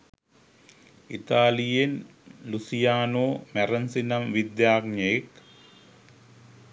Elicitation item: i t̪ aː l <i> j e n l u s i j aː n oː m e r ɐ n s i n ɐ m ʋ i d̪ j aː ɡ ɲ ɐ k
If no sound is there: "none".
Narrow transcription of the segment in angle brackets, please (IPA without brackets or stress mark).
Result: i